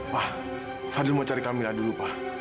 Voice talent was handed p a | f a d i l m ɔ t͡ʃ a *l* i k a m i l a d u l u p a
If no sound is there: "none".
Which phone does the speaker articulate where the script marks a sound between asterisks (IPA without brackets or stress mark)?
ɾ